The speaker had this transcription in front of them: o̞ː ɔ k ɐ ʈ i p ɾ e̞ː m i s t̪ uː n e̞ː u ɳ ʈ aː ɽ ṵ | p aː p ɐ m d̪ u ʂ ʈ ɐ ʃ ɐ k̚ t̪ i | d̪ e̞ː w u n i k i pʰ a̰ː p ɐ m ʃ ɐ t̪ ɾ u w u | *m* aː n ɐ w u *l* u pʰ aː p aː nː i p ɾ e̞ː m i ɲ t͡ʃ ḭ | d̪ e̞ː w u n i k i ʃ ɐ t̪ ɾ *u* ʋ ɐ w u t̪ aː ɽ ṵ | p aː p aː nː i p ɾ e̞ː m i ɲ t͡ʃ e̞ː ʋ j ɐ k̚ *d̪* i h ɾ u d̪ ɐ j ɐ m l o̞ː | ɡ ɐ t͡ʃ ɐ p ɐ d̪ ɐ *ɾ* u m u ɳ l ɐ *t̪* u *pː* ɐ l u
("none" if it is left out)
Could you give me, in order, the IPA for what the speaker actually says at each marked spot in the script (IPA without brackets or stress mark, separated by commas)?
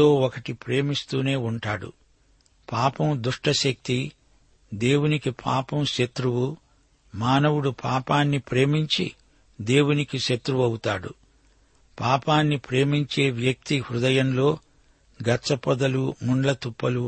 m, ɽ, u, t̪, l, t̪, pː